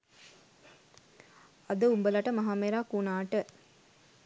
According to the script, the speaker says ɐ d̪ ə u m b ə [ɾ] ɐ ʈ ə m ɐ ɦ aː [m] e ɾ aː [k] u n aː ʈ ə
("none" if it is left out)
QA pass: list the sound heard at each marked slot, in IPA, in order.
l, m, k

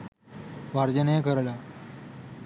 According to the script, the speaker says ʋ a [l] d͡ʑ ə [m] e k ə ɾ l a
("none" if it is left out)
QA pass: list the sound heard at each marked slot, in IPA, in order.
ɾ, n

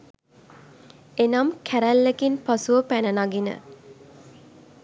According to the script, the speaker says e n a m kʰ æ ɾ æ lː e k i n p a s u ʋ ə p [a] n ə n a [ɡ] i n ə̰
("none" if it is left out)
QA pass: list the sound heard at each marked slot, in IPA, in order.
æ, ɡ

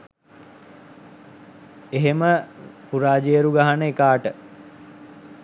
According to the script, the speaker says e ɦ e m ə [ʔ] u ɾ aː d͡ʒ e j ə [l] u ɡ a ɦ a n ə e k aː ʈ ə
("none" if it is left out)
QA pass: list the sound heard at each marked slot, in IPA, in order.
p, ɾ

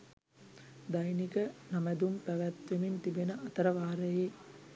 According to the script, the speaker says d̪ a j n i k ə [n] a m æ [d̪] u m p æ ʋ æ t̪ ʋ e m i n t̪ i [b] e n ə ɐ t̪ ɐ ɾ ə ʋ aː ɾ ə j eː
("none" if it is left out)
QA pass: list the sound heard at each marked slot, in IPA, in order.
n, d̪, b

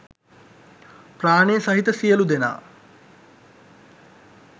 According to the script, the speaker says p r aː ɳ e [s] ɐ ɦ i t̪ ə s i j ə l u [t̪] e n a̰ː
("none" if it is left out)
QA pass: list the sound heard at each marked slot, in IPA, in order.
s, d̪

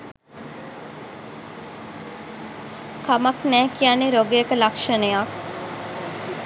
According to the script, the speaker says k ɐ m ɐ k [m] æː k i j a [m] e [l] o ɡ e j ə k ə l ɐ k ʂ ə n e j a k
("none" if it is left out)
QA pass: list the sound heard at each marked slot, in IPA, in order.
n, n, ɾ

